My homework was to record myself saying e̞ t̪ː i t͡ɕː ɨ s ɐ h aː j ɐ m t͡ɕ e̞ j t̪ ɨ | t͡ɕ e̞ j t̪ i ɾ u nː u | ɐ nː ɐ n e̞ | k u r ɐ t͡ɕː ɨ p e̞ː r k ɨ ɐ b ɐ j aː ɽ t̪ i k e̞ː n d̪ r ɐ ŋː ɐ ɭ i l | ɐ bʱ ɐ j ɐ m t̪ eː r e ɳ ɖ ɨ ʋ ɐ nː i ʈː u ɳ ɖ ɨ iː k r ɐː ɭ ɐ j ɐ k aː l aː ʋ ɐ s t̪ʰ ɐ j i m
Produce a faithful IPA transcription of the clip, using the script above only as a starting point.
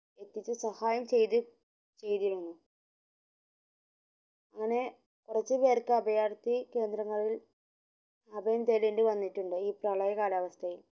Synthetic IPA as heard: e̞ t̪ː i t͡ɕː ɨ s ɐ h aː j ɐ m t͡ɕ e̞ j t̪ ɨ | t͡ɕ e̞ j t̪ i ɾ u nː u | ɐ ŋː ɐ n e̞ | k u r ɐ t͡ɕː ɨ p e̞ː r k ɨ ɐ b ɐ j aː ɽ t̪ i k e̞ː n d̪ ɾ ɐ ŋː ɐ ɭ i l | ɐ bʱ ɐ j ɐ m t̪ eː l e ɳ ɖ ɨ ʋ ɐ nː i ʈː u ɳ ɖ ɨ iː p r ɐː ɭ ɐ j ɐ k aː l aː ʋ ɐ s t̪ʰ ɐ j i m